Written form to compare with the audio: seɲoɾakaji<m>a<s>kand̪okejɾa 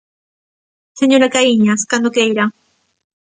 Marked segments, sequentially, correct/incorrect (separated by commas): incorrect, correct